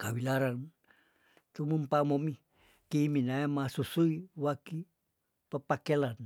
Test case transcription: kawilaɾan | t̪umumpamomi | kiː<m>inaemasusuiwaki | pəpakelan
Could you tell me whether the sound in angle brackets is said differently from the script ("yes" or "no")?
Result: no